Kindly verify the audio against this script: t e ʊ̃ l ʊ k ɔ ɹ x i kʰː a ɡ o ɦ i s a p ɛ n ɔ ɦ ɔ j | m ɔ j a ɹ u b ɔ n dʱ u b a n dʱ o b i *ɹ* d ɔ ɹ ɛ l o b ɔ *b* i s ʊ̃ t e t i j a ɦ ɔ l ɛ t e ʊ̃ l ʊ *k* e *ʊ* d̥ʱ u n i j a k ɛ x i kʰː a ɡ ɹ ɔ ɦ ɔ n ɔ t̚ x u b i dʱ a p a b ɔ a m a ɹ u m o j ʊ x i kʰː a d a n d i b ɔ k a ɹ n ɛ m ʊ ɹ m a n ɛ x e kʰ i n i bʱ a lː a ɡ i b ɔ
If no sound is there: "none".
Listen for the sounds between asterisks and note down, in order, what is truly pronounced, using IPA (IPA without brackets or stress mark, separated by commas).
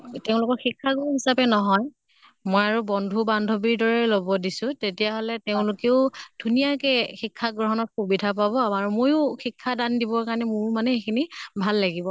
ɹ, d, k, ʊ